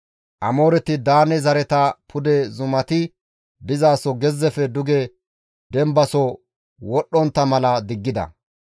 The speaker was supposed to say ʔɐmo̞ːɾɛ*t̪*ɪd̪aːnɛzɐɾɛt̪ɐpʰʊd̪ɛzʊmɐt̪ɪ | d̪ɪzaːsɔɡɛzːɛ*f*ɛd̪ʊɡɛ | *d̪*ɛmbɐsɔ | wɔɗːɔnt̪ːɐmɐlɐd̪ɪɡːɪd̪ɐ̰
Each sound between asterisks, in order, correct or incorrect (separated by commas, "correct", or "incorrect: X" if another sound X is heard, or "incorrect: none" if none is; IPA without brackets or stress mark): correct, correct, correct